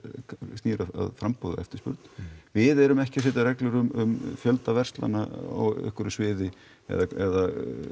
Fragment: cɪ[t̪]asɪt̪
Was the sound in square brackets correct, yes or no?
no